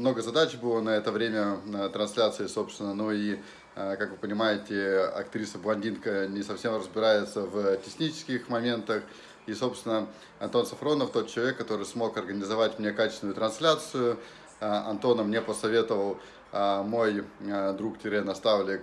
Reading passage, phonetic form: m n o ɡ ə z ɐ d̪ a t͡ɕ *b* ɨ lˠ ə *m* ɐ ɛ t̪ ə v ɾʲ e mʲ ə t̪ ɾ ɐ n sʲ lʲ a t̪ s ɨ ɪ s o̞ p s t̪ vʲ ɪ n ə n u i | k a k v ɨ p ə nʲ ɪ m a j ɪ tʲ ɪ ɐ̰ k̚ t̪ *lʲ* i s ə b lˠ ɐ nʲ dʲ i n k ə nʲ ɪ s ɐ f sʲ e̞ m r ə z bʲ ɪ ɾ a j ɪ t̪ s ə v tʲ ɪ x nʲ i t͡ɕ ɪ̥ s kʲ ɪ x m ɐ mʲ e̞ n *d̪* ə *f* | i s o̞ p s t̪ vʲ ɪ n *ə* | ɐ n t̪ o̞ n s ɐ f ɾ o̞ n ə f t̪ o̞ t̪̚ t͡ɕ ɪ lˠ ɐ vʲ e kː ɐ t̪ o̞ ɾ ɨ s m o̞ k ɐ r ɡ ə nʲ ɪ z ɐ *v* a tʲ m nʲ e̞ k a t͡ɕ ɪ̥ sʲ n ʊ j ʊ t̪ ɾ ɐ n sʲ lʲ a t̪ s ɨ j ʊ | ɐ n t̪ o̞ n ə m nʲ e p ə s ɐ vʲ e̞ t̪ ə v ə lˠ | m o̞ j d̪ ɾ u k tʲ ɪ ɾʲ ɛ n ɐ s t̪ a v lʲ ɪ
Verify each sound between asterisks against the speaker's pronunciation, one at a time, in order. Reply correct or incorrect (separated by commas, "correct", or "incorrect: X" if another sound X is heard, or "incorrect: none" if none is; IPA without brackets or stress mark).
correct, incorrect: n, incorrect: ɾʲ, incorrect: t̪, incorrect: x, correct, correct